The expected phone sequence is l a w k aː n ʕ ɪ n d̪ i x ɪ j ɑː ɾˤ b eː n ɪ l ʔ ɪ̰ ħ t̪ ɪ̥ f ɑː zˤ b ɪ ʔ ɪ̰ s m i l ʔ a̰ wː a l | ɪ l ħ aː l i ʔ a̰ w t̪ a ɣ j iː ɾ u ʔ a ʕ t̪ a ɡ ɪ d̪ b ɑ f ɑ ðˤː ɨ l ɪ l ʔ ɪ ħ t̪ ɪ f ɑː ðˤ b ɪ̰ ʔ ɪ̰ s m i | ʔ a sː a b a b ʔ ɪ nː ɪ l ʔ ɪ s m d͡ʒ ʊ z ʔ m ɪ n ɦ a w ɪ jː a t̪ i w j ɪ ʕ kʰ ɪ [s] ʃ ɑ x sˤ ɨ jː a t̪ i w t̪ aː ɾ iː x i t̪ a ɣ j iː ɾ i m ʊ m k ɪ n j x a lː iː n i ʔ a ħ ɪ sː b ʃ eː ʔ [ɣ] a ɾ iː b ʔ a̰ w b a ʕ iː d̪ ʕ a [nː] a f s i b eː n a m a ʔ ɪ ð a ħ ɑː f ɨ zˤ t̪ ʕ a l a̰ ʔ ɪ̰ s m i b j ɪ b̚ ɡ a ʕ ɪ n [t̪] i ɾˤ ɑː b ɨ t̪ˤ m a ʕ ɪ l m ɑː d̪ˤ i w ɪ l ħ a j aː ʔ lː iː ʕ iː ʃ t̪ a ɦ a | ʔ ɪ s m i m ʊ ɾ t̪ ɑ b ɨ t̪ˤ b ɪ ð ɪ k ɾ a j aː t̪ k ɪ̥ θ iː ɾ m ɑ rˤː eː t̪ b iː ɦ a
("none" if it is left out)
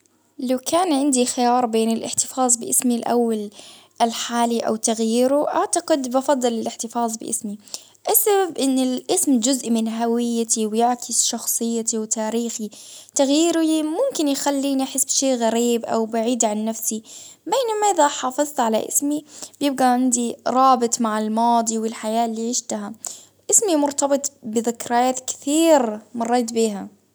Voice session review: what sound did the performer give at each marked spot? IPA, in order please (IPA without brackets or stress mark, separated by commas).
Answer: s, ɣ, nː, d̪